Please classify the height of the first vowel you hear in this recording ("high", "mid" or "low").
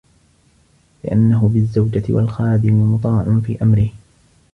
high